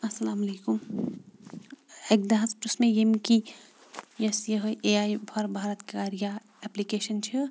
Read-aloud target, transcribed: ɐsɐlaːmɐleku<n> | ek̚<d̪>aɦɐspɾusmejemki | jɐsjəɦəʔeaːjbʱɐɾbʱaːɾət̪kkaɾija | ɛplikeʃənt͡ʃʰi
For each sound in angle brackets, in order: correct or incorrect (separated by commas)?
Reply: incorrect, correct